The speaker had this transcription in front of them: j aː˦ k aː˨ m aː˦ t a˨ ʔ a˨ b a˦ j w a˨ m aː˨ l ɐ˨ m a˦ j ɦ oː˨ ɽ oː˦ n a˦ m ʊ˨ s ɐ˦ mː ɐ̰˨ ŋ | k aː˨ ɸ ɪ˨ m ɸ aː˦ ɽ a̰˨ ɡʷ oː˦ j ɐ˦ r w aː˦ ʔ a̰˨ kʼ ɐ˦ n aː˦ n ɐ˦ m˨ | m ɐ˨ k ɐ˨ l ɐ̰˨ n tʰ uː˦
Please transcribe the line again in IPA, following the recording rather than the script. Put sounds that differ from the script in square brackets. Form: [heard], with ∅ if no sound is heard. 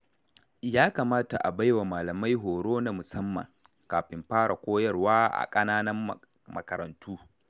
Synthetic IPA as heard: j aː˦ k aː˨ m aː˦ t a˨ ʔ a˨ b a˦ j w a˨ m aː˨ l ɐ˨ m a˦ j ɦ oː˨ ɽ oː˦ n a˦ m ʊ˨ s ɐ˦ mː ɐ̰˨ ŋ | k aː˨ ɸ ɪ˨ m ɸ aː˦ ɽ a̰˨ [kʷ] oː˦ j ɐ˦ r w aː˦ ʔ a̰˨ kʼ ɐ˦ n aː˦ n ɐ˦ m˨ | m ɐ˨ k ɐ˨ [ɾ] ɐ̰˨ n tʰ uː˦

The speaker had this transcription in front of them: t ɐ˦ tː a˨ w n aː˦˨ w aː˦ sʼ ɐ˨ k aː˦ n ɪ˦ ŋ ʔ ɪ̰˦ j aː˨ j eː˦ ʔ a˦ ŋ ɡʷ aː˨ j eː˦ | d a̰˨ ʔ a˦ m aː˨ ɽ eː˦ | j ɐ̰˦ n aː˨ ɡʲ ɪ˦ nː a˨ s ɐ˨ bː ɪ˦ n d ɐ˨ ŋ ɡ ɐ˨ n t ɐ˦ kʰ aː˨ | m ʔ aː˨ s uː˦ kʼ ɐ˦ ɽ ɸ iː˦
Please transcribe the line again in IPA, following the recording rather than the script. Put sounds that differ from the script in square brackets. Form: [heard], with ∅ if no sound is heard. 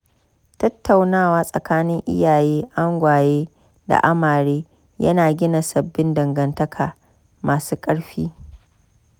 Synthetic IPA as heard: t ɐ˦ tː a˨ w n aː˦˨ w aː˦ sʼ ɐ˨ k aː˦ n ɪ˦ ŋ ʔ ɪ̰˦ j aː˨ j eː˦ ʔ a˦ ŋ ɡʷ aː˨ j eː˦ | d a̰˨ ʔ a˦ m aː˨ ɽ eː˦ | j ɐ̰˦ n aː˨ ɡʲ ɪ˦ [n] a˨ s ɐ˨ bː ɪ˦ n d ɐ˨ ŋ ɡ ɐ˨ n t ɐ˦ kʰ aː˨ | m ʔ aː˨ s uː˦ kʼ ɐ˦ ɽ ɸ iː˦

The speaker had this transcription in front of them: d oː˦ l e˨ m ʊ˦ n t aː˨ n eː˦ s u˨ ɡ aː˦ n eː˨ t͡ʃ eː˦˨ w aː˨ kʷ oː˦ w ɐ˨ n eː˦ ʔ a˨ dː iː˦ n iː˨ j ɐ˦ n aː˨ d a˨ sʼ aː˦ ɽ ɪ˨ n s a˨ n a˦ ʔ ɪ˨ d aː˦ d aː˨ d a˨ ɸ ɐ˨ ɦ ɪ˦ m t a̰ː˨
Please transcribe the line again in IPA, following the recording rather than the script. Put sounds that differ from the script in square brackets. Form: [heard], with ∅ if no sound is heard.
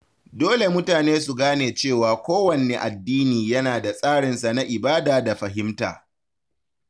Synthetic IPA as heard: d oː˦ l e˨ m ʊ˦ [∅] t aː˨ n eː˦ s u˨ ɡ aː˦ n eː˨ t͡ʃ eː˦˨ w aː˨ kʷ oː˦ w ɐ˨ n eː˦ ʔ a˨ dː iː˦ n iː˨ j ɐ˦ n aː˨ d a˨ sʼ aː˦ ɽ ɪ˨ n s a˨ n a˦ ʔ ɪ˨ [b] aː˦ d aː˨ d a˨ ɸ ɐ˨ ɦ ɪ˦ m t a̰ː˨

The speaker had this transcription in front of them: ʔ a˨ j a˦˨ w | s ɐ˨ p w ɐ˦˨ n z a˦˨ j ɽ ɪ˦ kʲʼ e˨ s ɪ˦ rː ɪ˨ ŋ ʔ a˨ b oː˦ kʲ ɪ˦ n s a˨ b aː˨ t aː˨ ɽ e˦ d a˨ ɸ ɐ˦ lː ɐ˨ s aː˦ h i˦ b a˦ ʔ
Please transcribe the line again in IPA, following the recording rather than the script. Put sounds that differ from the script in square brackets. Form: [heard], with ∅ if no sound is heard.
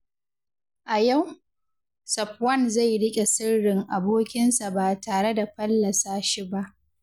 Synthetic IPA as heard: ʔ a˨ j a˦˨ w | s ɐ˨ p w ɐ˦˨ n z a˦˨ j ɽ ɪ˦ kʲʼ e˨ s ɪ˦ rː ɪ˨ ŋ ʔ a˨ b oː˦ kʲ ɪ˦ n s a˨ b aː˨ t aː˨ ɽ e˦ d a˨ ɸ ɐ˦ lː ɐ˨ s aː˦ [ʃ] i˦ b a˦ ʔ

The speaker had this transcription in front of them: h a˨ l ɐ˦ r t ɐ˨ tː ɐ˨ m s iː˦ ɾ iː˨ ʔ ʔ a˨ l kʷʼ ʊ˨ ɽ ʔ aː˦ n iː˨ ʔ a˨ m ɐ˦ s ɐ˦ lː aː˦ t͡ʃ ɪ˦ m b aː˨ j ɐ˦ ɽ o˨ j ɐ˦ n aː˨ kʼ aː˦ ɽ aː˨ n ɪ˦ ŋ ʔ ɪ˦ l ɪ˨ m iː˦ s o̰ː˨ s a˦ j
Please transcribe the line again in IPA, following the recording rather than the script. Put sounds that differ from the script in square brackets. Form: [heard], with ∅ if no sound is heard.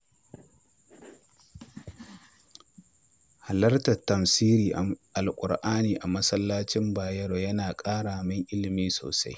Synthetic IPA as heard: h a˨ l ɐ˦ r t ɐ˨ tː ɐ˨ m s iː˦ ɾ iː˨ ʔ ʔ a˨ l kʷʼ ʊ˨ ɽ ʔ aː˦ n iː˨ ʔ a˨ m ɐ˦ s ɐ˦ lː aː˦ t͡ʃ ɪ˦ m b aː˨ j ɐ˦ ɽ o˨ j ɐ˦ n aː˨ kʼ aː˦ ɽ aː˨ [m] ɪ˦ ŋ ʔ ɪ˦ l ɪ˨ m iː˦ s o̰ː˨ s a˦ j

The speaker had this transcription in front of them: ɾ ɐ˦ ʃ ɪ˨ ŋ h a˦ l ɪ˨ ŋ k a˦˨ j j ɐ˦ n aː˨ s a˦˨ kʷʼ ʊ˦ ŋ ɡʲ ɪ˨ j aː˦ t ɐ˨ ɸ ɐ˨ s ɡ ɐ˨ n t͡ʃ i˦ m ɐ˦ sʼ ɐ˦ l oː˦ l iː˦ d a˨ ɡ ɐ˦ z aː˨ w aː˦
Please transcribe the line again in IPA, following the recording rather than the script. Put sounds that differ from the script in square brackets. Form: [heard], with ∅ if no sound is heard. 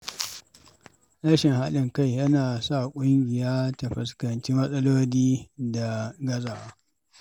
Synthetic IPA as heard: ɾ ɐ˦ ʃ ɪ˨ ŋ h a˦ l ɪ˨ ŋ k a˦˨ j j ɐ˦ n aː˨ s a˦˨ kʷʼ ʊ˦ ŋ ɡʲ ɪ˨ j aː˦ t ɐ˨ ɸ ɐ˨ s [k] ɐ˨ n t͡ʃ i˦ m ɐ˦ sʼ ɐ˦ l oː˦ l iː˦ d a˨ ɡ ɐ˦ z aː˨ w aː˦

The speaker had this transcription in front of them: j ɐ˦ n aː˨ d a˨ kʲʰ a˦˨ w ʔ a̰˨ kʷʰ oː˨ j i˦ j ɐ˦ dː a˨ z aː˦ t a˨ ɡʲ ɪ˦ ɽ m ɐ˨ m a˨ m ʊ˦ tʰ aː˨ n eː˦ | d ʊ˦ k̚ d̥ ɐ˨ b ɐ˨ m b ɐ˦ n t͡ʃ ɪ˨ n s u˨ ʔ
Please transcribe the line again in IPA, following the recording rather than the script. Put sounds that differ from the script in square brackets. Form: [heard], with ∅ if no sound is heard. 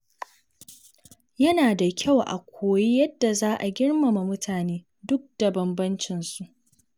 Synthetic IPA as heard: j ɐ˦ n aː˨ d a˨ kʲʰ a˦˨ w ʔ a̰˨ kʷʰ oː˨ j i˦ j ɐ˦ dː a˨ z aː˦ [ʔ] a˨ ɡʲ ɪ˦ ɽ m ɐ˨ m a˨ m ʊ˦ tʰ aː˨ n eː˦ | d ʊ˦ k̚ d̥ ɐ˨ b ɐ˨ m b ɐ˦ n t͡ʃ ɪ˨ n s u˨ ʔ

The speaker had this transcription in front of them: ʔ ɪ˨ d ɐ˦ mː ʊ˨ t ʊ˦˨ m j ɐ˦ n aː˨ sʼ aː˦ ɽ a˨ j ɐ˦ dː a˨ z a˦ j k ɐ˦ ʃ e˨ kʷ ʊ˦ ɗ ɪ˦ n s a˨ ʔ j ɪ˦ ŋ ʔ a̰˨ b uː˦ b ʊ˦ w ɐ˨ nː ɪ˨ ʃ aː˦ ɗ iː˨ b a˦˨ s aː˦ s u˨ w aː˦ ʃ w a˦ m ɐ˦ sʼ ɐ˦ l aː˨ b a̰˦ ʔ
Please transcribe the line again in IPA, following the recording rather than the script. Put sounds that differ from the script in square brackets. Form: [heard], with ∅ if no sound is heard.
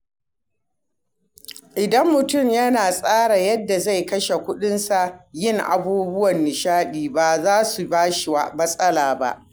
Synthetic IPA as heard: ʔ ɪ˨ d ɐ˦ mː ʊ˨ t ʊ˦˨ m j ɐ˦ n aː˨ sʼ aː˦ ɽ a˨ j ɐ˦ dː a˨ z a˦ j k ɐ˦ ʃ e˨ kʷ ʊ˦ ɗ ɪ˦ n s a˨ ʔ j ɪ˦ ŋ ʔ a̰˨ b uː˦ b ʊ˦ w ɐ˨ nː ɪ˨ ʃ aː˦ ɗ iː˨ b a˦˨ [z] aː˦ s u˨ [b] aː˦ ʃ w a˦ m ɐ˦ sʼ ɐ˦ l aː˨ b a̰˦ ʔ

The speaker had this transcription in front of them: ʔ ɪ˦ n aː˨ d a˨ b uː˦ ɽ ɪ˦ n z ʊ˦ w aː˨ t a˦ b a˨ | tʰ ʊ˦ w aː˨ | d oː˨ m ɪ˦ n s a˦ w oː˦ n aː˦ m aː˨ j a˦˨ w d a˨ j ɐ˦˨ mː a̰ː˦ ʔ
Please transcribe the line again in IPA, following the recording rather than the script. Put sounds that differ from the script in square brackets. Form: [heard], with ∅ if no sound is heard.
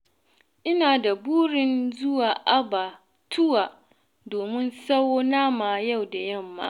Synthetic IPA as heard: ʔ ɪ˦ n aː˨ d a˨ b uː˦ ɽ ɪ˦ n z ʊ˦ w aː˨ [ʔ] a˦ b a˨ | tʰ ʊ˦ w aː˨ | d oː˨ m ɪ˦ n s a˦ w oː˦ n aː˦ m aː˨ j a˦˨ w d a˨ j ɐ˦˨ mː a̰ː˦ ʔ

